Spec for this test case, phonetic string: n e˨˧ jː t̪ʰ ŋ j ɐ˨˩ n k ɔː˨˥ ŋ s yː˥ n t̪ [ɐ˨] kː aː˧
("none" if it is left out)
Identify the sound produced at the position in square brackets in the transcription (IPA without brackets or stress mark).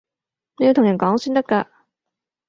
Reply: ɐ˥